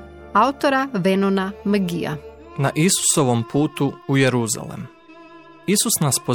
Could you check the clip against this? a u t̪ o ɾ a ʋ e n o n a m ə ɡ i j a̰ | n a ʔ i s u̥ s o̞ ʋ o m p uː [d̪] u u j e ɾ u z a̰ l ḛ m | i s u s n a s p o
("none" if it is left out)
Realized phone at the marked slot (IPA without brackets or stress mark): t̪